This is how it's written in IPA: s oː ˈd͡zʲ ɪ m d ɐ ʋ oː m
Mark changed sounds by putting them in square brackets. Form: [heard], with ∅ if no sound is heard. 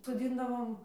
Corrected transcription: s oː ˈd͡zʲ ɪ [n] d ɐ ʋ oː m

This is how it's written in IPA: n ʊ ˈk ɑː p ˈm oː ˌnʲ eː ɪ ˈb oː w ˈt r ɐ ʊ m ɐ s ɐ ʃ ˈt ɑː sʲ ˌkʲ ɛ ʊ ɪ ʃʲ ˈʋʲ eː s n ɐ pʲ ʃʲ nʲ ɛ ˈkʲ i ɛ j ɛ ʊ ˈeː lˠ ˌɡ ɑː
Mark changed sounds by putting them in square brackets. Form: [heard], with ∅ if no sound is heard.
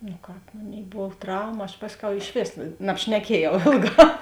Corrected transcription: n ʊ ˈk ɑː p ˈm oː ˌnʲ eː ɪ ˈb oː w ˈt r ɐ ʊ m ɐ [∅] ɐ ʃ [ˈp] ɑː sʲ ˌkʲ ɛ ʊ ɪ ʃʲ ˈʋʲ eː s n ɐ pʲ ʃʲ nʲ ɛ ˈkʲ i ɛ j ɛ ʊ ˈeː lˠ ˌɡ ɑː

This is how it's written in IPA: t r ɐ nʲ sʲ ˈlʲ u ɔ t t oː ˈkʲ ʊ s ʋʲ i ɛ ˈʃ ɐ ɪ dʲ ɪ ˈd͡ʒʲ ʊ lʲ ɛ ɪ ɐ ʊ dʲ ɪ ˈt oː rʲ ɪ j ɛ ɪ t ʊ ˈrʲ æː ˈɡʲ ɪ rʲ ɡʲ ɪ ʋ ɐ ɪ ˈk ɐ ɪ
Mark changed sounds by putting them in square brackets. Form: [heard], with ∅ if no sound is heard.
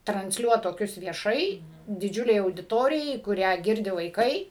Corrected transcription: t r ɐ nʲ sʲ ˈlʲ u ɔ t t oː ˈkʲ ʊ s ʋʲ i ɛ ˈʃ ɐ ɪ dʲ ɪ ˈd͡ʒʲ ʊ lʲ ɛ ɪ ɐ ʊ dʲ ɪ ˈt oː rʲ ɪ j ɛ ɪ [k] ʊ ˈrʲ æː ˈɡʲ ɪ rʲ [dʲ] ɪ ʋ ɐ ɪ ˈk ɐ ɪ

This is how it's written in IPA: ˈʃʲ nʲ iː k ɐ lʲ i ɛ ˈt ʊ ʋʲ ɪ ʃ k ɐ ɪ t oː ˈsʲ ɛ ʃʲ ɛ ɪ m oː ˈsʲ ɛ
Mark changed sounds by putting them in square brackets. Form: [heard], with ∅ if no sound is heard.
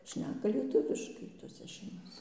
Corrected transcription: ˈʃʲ nʲ [æː] k ɐ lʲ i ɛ ˈt ʊ ʋʲ ɪ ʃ k ɐ ɪ t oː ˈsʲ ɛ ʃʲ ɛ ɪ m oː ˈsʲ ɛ

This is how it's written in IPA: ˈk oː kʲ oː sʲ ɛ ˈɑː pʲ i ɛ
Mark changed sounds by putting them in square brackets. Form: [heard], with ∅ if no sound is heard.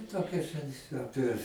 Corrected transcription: [ˈt] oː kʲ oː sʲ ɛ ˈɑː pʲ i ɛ

